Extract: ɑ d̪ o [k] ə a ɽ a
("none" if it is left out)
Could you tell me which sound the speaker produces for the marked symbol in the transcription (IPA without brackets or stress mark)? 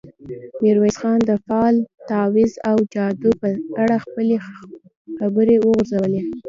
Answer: p